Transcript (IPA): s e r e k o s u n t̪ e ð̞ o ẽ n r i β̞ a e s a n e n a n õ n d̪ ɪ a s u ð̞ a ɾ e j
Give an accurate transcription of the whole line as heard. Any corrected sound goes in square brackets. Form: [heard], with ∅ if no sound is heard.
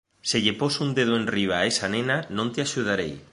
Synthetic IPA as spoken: s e [ʎ] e [p] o s u n [d̪] e ð̞ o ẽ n r i β̞ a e s a n e n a n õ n [t̪] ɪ a [ʃ] u ð̞ a ɾ e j